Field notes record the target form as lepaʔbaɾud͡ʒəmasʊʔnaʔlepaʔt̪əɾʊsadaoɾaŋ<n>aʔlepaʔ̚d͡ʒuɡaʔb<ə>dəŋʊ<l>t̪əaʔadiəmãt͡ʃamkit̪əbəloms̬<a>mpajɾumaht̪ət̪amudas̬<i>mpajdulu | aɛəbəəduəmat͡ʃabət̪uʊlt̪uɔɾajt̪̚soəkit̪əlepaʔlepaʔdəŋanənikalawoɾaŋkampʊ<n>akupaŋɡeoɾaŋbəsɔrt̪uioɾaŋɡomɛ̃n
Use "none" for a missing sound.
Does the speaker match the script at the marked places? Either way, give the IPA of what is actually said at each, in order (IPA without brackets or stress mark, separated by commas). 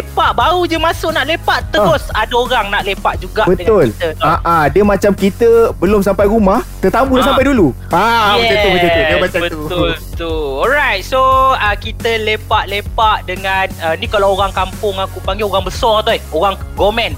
n, ə, l, a, a, ŋ